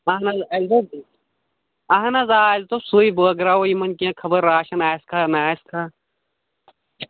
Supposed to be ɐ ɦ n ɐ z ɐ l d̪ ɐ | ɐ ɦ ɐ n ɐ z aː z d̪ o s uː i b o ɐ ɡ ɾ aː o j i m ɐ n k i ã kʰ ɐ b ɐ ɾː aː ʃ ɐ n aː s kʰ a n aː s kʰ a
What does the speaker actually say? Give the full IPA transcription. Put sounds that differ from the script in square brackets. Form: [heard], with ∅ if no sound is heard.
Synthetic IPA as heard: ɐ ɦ n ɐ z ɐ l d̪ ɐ | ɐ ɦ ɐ n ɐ z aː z [t̪] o s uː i b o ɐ ɡ ɾ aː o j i m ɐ n k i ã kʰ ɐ b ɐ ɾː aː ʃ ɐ n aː s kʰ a n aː s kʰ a